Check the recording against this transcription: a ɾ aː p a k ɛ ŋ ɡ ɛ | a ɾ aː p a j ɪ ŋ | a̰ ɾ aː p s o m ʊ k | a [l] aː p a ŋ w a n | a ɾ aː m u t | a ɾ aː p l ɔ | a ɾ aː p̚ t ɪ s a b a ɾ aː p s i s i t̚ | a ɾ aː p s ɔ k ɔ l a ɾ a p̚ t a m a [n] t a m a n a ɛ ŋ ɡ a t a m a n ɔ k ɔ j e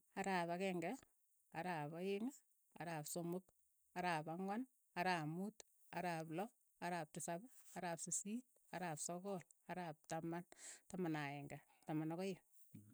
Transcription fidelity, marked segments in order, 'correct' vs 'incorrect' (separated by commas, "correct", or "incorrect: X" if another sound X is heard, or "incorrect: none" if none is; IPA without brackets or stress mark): incorrect: ɾ, correct